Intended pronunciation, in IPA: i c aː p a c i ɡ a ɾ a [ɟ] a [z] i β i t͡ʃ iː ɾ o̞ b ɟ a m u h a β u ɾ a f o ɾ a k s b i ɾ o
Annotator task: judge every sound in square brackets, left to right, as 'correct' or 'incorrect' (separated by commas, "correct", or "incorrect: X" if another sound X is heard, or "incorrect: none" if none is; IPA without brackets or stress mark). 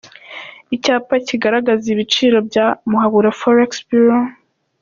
incorrect: ɡ, correct